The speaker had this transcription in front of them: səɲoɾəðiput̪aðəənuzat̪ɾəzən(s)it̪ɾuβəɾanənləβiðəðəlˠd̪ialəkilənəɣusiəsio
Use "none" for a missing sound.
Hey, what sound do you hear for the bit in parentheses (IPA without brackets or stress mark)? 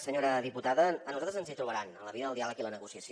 z